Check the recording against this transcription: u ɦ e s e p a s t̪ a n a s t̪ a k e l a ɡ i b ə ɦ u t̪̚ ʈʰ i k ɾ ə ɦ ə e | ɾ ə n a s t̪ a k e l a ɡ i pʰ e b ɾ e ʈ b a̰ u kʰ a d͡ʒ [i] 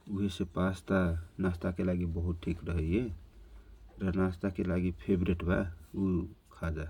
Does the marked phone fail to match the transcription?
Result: yes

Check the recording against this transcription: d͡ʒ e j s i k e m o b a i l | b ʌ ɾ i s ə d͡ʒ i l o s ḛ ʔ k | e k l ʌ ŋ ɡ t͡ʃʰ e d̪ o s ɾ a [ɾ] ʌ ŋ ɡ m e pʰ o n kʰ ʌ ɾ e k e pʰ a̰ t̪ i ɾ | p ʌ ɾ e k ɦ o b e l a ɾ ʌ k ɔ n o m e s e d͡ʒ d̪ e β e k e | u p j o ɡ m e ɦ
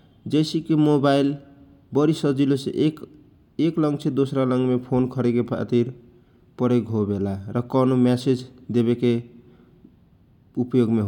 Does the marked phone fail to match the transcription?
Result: yes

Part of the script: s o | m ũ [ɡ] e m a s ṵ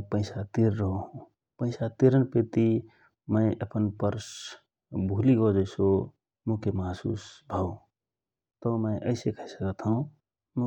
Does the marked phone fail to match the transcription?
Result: yes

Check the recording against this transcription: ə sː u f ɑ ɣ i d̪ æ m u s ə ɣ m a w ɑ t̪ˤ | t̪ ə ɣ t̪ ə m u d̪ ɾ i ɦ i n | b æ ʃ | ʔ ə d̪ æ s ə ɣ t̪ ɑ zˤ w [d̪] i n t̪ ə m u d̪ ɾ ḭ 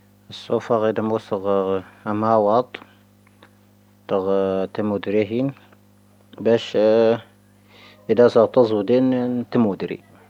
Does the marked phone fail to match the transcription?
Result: no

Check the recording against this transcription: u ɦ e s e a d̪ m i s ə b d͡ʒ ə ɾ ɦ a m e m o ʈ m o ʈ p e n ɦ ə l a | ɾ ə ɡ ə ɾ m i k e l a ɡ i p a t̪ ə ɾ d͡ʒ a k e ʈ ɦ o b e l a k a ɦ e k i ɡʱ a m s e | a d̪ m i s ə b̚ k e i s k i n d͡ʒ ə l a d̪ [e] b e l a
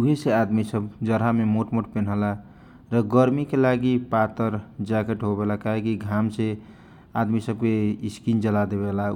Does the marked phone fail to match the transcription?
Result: no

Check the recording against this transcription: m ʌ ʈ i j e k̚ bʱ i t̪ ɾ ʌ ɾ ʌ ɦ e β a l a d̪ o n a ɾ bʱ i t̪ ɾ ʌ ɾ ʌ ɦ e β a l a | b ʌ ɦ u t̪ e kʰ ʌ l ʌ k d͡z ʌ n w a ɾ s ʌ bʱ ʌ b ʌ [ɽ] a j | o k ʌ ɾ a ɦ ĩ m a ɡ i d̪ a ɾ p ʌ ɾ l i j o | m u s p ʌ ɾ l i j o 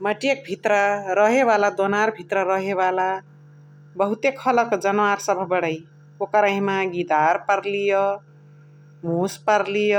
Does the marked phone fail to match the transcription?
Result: no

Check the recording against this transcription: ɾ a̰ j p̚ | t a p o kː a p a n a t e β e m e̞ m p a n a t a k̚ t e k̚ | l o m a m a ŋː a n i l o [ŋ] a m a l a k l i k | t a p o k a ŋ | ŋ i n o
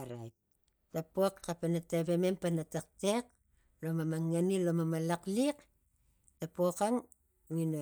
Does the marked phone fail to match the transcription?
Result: yes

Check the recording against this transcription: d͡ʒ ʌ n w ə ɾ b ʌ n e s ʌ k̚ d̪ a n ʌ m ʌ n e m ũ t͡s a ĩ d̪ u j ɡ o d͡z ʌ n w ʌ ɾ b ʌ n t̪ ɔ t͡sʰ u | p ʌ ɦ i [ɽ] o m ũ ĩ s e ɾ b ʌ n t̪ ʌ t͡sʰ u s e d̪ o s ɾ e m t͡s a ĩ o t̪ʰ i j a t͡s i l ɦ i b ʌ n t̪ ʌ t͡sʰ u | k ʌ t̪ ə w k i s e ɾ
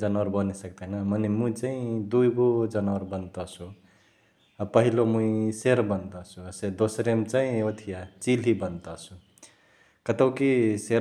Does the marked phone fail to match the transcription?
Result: yes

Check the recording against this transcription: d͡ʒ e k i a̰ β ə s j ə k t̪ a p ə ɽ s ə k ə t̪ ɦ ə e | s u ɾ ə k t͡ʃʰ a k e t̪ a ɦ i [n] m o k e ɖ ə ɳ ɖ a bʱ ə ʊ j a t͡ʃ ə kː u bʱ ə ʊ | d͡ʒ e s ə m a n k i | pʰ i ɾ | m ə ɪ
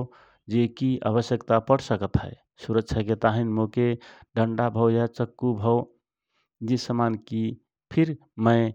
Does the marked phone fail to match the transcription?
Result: no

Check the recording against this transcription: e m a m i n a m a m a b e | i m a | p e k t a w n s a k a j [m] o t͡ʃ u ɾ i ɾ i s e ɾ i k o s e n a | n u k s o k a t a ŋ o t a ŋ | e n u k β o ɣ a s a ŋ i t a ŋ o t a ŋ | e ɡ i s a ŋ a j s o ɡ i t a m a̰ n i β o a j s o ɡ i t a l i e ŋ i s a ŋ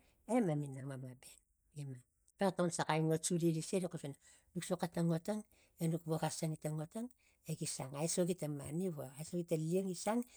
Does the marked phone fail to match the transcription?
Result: yes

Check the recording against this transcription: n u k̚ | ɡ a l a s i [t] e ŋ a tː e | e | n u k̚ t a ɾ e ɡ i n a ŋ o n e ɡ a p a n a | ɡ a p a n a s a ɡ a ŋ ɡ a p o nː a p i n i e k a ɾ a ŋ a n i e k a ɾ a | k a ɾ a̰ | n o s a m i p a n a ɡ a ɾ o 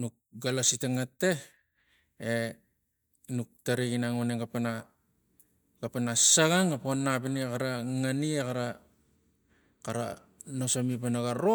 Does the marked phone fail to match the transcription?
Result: no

